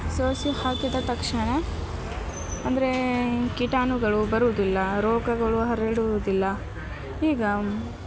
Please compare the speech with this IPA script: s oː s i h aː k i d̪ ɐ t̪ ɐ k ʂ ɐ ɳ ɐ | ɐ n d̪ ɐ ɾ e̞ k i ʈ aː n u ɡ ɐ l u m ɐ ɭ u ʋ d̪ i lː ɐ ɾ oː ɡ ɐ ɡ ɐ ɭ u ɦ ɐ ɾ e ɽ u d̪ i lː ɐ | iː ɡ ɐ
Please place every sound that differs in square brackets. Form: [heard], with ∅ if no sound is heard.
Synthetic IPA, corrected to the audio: s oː s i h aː k i d̪ ɐ t̪ ɐ k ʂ ɐ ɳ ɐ | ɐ n d̪ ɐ ɾ e̞ k i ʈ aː n u ɡ ɐ [ɭ] u [b] ɐ [ɾ] u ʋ d̪ i lː ɐ ɾ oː ɡ ɐ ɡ ɐ ɭ u ɦ ɐ ɾ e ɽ u d̪ i lː ɐ | iː ɡ ɐ